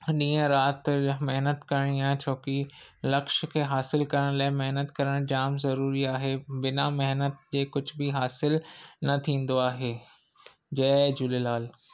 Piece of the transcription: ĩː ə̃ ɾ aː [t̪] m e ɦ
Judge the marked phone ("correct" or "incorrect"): correct